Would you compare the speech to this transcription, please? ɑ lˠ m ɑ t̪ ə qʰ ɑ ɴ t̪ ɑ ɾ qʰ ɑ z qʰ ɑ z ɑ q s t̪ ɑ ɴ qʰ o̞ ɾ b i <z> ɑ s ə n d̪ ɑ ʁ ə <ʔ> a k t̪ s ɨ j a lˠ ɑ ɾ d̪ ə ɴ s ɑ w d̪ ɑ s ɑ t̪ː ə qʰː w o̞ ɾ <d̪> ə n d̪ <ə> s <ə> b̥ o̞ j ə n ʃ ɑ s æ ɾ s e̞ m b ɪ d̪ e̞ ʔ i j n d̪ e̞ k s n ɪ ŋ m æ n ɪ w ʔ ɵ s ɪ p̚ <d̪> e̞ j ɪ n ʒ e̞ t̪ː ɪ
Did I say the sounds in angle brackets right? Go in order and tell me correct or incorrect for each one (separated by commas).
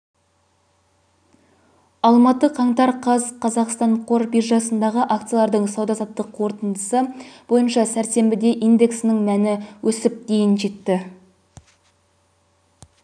incorrect, correct, incorrect, correct, correct, correct